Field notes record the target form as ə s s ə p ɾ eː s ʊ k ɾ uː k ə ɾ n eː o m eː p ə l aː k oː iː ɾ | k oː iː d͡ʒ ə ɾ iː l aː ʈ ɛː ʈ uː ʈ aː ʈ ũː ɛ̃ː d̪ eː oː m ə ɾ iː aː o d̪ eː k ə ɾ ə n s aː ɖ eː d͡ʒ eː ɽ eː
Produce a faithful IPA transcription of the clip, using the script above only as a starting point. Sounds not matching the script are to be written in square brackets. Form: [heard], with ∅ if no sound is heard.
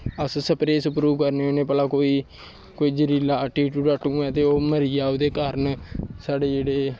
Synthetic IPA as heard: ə s s ə p ɾ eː s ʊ [p] ɾ uː k ə ɾ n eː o [n] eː p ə l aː k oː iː [∅] | k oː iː d͡ʒ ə ɾ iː l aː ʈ [iː] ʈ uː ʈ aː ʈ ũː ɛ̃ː [t̪] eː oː m ə ɾ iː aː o d̪ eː k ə ɾ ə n s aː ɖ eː d͡ʒ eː ɽ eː